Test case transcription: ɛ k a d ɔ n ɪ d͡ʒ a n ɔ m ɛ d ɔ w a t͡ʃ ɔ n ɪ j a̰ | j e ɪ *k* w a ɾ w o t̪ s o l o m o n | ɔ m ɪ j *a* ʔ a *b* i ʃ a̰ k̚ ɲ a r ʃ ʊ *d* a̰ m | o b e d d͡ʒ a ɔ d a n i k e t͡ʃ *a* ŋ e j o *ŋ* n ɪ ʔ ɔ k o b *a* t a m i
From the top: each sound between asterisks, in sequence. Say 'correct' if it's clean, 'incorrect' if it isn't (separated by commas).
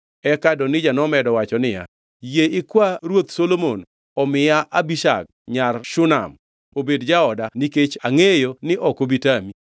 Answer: correct, correct, correct, incorrect, correct, incorrect, incorrect